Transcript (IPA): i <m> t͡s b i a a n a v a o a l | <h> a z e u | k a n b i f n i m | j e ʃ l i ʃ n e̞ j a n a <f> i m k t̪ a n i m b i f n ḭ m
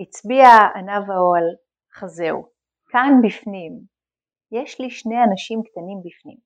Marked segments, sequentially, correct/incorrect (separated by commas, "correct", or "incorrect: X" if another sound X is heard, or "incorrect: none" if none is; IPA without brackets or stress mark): incorrect: none, incorrect: χ, incorrect: ʃ